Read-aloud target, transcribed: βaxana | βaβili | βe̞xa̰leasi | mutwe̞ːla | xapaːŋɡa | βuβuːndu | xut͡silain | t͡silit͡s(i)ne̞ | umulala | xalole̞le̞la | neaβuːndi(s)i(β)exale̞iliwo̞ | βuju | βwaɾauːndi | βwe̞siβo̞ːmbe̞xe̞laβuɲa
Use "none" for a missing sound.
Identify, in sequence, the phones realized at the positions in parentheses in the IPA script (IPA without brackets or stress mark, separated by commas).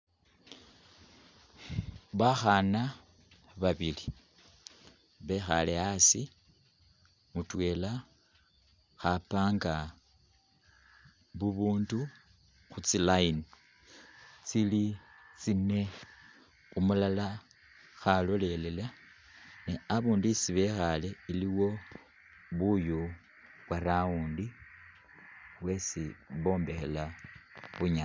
i, s, β